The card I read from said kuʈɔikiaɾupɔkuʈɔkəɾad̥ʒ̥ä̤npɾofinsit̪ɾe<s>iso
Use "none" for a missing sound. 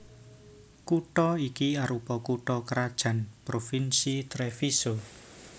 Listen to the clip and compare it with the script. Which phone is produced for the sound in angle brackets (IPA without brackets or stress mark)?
f